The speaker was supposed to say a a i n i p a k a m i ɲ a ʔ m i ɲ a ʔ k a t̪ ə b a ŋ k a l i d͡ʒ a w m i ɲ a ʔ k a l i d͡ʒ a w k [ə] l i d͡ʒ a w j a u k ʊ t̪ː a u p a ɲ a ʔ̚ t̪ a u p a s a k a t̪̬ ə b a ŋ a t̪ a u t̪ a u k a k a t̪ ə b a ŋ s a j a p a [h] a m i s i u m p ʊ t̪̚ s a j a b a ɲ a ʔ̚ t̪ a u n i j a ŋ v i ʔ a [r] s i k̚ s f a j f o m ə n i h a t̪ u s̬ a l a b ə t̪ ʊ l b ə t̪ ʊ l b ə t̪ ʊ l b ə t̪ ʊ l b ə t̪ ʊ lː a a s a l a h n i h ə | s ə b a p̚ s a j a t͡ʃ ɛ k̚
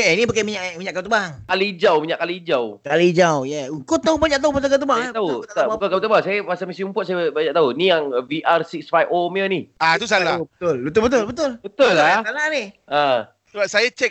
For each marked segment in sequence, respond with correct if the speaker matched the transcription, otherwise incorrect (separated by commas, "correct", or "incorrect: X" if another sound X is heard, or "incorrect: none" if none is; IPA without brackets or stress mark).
incorrect: a, incorrect: s, correct